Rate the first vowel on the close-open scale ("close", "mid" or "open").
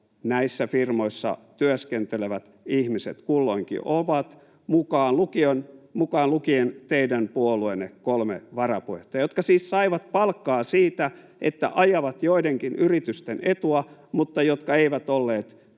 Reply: open